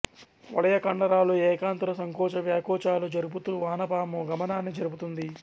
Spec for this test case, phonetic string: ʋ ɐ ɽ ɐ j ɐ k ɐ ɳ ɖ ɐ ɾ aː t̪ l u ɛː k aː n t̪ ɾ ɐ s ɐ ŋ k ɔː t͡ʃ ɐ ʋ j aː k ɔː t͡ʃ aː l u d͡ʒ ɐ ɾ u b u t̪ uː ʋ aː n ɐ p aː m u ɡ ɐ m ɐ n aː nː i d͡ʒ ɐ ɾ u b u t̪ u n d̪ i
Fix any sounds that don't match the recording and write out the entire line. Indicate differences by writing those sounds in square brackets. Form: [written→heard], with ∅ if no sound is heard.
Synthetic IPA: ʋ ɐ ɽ ɐ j ɐ k ɐ ɳ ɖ ɐ ɾ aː [t̪→∅] l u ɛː k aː n t̪ ɾ ɐ s ɐ ŋ k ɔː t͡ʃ ɐ ʋ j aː k ɔː t͡ʃ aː l u d͡ʒ ɐ ɾ u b u t̪ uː ʋ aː n ɐ p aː m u ɡ ɐ m ɐ n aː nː i d͡ʒ ɐ ɾ u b u t̪ u n d̪ i

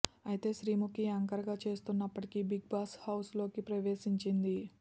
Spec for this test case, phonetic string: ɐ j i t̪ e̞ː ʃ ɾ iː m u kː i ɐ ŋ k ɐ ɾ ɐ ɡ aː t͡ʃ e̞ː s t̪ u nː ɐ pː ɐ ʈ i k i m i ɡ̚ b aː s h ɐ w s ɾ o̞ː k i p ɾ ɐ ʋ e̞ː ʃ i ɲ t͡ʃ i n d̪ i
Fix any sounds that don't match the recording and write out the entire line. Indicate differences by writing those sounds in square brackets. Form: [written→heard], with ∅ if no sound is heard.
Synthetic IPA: ɐ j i t̪ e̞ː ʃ ɾ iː m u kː i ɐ ŋ k ɐ ɾ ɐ ɡ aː t͡ʃ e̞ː s t̪ u nː ɐ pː ɐ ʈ i k i [m→b] i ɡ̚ b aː s h ɐ w s [ɾ→l] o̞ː k i p ɾ ɐ ʋ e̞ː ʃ i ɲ t͡ʃ i n d̪ i

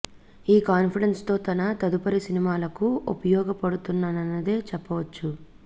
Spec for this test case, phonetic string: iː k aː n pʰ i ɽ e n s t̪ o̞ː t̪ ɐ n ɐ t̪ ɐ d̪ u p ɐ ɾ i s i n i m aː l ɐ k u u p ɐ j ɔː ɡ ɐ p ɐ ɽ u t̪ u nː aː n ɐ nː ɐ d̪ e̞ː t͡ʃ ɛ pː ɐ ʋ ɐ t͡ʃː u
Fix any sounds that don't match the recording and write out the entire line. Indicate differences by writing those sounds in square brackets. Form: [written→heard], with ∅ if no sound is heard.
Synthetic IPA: iː k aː n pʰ i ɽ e n s t̪ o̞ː t̪ ɐ n ɐ t̪ ɐ d̪ u p ɐ ɾ i s i n i m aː l ɐ k u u p ɐ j ɔː ɡ ɐ p ɐ ɽ u t̪ u nː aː n ɐ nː ɐ d̪ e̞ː t͡ʃ ɛ pː ɐ ʋ ɐ t͡ʃː u

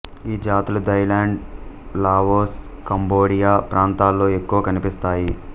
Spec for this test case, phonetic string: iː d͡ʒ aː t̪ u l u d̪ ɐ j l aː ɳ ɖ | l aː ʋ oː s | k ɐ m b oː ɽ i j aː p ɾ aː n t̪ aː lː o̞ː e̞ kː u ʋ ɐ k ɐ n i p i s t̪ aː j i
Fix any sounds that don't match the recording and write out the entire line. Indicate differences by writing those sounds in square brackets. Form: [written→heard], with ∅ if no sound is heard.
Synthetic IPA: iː d͡ʒ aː t̪ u l u d̪ ɐ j l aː ɳ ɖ | l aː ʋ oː s | k ɐ m b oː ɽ i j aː p ɾ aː n t̪ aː lː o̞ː e̞ kː u ʋ ɐ k ɐ n i p i s t̪ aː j i

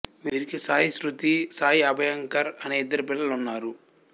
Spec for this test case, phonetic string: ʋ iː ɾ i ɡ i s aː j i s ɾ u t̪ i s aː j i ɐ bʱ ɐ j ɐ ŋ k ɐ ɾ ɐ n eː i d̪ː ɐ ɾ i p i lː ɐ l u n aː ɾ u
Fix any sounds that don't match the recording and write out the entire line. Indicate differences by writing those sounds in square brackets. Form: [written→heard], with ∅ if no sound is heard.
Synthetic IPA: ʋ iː ɾ i [ɡ→k] i s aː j i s ɾ u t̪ i s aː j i ɐ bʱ ɐ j ɐ ŋ k ɐ ɾ ɐ n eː i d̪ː ɐ ɾ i p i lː ɐ l u [n→nː] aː ɾ u

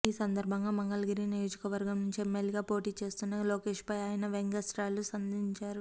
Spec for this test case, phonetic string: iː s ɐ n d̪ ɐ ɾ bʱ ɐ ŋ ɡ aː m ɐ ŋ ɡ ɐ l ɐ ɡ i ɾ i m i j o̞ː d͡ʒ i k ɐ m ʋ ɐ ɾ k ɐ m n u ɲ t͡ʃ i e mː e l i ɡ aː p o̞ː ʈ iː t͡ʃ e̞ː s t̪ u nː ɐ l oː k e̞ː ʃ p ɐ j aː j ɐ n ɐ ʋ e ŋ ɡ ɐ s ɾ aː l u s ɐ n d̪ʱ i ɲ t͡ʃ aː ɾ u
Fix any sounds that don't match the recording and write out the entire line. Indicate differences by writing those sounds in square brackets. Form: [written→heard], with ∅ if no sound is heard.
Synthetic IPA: iː s ɐ n d̪ ɐ ɾ bʱ ɐ ŋ ɡ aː m ɐ ŋ ɡ ɐ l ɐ ɡ i ɾ i [m→n] i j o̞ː d͡ʒ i k ɐ [m→∅] ʋ ɐ ɾ [k→ɡ] ɐ m n u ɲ t͡ʃ i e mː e l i ɡ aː p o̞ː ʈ iː t͡ʃ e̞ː s t̪ u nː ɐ l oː k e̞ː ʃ p ɐ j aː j ɐ n ɐ ʋ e ŋ ɡ ɐ s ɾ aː l u s ɐ n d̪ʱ i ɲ t͡ʃ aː ɾ u

